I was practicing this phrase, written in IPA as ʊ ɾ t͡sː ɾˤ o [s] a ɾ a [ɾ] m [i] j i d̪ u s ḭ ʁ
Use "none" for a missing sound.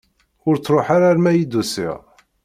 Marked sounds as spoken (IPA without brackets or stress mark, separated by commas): ħ, ɾ, æ